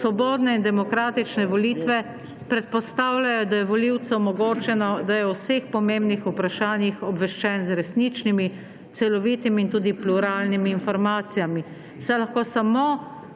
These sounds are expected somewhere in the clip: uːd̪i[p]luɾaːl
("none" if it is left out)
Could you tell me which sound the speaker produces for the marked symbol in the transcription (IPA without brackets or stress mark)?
p